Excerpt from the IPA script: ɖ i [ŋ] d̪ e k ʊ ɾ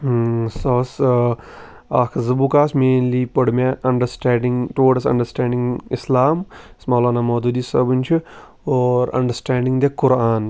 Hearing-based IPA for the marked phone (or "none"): ŋ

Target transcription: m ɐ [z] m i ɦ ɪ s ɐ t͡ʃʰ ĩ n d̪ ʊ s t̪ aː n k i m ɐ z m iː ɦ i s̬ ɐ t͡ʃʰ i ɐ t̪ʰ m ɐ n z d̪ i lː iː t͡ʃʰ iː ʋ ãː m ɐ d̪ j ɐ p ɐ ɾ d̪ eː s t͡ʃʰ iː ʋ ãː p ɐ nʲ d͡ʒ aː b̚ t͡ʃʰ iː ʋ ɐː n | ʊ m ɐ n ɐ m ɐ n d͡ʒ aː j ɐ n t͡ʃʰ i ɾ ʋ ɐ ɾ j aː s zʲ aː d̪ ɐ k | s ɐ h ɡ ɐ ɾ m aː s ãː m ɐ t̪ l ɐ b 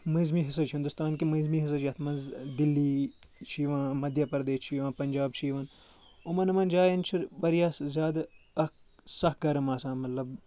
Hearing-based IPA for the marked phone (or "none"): z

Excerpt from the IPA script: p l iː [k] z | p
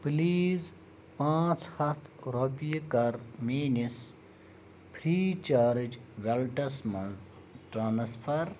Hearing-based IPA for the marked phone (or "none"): none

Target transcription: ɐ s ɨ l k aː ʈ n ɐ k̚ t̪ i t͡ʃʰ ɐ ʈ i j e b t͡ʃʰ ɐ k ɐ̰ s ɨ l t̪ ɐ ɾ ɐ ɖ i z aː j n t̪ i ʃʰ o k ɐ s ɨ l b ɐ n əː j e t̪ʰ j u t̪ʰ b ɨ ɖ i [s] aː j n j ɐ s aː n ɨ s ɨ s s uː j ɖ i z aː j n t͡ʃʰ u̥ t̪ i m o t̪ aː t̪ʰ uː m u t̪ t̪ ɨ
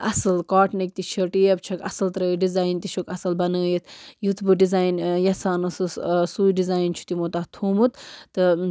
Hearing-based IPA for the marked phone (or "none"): z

